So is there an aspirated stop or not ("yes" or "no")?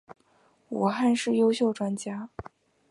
no